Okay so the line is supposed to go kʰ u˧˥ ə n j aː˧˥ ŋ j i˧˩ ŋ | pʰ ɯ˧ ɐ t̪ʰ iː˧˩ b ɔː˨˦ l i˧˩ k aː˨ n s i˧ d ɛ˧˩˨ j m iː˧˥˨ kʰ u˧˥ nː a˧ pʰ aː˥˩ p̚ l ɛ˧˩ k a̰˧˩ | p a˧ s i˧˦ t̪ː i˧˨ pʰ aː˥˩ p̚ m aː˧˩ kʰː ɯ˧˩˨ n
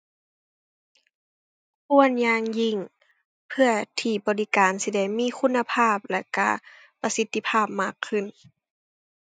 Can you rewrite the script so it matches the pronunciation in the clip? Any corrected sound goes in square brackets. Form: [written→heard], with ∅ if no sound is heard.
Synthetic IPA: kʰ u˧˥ ə n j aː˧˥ ŋ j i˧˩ ŋ | pʰ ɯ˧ ɐ t̪ʰ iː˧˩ b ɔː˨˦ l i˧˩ k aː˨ n s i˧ d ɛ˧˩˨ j m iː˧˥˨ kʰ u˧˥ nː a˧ pʰ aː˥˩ p̚ l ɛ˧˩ k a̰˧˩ | p a˧ s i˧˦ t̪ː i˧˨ pʰ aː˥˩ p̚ m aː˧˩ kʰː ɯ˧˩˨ n